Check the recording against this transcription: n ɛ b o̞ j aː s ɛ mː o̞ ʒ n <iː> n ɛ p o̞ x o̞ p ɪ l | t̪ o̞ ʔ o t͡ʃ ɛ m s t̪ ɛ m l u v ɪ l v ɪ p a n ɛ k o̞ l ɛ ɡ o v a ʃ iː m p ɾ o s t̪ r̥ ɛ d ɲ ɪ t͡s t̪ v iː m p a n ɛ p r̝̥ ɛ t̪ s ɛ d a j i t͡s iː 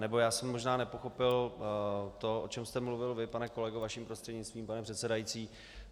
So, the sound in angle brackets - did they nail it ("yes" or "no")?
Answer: no